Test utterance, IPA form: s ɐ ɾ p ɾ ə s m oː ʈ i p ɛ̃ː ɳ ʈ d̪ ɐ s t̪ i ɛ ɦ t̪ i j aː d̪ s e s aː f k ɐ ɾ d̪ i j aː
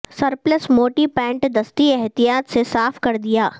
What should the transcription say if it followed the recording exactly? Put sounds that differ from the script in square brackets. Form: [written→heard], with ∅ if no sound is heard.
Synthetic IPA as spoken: s ɐ ɾ p [ɾ→l] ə s m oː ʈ i p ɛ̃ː ɳ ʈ d̪ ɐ s t̪ i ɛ ɦ t̪ i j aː [d̪→t̪] s e s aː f k ɐ ɾ d̪ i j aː